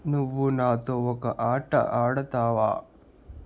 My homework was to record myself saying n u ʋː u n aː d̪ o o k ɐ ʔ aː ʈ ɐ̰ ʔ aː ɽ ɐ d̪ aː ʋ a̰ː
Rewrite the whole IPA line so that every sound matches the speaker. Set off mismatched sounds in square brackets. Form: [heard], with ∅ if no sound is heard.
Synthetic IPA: n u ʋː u n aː [t̪] o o k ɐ ʔ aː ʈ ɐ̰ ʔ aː ɽ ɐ [t̪] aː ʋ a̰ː